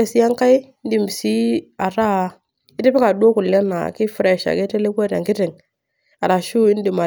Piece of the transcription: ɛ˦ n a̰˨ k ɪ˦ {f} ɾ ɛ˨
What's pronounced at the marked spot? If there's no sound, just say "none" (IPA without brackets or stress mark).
f